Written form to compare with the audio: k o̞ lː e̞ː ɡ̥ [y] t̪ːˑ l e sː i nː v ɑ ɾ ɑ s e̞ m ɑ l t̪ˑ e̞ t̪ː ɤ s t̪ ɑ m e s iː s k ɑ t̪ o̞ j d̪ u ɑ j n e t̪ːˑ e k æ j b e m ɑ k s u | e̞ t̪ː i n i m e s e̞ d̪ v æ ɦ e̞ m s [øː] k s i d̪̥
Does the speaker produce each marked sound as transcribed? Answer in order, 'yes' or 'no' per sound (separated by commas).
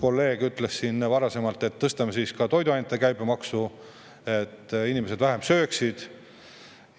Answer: yes, yes